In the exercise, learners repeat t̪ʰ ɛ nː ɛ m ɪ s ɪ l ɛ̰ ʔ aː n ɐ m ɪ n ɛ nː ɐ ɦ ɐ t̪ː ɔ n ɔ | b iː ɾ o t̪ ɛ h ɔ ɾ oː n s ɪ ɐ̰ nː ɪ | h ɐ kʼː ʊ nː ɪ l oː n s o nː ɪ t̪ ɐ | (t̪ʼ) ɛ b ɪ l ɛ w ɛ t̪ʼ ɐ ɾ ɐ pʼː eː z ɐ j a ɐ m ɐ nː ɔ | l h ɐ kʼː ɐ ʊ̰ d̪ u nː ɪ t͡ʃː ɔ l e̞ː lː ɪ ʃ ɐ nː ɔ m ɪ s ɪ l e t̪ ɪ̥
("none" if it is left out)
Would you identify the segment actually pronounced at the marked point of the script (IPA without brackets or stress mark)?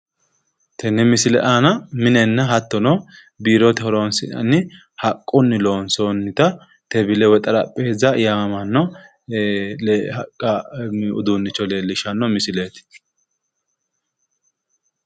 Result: t̪